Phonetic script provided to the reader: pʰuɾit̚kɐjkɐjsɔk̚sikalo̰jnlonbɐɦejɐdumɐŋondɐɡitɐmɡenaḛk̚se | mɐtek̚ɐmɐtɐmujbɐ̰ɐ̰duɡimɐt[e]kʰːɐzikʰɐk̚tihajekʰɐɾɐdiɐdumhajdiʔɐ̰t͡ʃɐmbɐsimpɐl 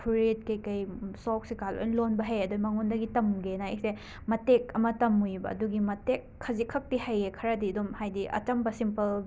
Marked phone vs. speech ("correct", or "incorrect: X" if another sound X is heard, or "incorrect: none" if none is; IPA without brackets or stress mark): correct